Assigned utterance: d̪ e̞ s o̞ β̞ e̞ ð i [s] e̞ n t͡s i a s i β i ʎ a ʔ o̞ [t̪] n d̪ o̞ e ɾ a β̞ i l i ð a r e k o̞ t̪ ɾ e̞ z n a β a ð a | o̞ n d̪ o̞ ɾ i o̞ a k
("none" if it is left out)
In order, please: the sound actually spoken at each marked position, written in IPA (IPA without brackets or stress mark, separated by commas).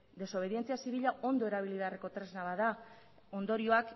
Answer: none, none